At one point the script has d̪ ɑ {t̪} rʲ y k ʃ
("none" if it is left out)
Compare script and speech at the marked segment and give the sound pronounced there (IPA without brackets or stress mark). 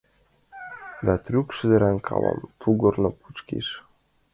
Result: t̪